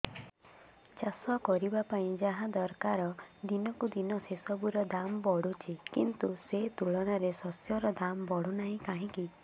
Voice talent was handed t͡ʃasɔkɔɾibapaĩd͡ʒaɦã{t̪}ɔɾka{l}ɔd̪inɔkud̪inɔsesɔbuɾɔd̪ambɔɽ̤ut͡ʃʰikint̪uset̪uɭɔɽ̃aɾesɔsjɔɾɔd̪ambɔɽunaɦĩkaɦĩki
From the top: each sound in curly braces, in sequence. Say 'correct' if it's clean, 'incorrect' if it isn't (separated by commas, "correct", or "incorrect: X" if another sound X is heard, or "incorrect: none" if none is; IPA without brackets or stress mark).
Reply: incorrect: d̪, incorrect: ɾ